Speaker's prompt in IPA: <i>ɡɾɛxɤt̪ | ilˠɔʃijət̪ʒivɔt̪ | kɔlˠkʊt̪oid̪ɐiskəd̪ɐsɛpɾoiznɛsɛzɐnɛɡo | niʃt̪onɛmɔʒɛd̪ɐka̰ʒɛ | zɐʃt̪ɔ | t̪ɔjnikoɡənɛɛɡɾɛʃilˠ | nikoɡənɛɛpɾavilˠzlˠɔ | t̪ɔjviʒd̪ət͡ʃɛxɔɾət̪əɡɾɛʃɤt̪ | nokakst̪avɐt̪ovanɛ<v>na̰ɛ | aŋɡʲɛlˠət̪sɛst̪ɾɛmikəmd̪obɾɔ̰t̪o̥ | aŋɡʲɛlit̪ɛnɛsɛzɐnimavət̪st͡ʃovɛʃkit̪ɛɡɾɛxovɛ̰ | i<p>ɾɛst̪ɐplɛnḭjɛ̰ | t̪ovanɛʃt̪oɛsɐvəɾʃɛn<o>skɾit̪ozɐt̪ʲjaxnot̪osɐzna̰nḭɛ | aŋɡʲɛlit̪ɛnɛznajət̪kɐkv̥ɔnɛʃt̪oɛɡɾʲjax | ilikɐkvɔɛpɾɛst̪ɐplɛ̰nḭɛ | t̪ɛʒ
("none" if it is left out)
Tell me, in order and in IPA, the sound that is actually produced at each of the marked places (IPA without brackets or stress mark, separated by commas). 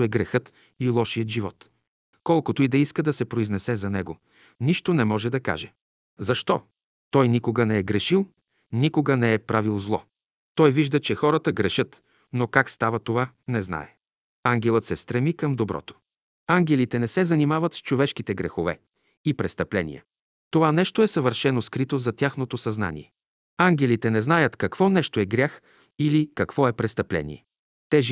ɛ, z, p, o